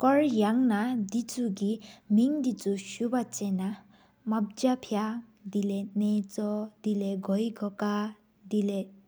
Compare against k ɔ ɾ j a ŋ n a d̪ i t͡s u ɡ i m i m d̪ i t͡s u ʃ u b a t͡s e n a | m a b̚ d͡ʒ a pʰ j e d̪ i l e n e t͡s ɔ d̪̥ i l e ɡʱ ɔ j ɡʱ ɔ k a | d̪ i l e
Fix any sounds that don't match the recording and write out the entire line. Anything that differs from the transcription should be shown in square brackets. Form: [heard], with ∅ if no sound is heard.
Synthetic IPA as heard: k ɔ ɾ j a ŋ n a d̪ i t͡s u ɡ i m i [ŋ] d̪ i t͡s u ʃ u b a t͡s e n a | m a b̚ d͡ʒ a pʰ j [a] d̪ i l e n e t͡s ɔ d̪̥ i l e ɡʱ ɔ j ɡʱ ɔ k a | d̪ i l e